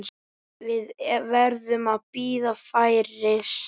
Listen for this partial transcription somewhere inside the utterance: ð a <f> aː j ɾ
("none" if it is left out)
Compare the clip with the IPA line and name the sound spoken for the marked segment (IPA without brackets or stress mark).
f